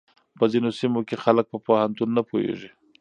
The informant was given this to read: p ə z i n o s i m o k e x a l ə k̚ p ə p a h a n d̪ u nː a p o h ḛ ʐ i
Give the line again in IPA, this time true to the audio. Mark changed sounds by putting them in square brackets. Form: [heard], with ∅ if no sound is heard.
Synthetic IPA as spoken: p ə z i n o s i m o k e x a l ə k̚ p ə p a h a n [t̪] u nː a p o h ḛ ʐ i